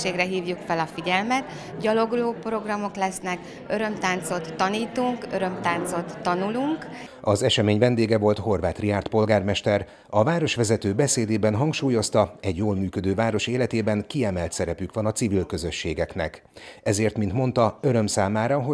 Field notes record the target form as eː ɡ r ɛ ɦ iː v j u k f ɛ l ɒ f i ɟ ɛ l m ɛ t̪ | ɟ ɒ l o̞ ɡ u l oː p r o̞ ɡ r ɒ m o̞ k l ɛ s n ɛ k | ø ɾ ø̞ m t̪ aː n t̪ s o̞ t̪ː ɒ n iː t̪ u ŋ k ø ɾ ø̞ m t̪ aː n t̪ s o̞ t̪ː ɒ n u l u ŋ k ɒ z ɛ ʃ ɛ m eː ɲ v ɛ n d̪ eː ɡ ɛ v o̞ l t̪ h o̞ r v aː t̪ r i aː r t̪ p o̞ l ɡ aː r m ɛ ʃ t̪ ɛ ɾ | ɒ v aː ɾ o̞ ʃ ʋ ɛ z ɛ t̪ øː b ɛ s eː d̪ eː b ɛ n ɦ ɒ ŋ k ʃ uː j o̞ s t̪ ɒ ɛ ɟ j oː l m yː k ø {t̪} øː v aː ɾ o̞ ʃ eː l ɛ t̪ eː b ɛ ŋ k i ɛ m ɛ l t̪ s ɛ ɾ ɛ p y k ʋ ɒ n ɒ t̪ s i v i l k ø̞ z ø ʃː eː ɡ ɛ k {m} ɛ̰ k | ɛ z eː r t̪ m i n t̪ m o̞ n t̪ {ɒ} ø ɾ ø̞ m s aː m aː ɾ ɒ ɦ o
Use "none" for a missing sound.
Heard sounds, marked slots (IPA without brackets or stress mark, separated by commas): d̪, n, ɒ